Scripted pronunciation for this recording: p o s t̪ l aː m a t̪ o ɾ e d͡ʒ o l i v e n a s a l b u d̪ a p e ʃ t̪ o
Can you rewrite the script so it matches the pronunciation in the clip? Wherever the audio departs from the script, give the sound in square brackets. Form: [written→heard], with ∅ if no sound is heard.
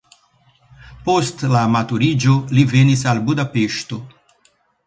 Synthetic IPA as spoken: p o s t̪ l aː m a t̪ [o→u] ɾ [e→i] d͡ʒ o l i v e n [a→i] s a l b u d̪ a p e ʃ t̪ o